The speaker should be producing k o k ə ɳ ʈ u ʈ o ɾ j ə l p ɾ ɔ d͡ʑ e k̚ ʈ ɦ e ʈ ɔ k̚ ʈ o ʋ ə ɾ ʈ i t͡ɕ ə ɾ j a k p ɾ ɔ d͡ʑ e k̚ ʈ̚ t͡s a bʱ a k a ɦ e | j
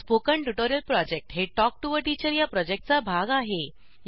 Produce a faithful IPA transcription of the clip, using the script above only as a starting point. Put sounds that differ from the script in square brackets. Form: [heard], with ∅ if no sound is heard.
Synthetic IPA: [p] o k ə ɳ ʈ u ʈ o ɾ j ə l p ɾ ɔ d͡ʑ e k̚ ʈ ɦ e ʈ ɔ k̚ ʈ [u] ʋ ə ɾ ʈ i t͡ɕ ə ɾ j a [∅] p ɾ ɔ d͡ʑ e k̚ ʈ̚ t͡s a bʱ a [ɡ] a ɦ e | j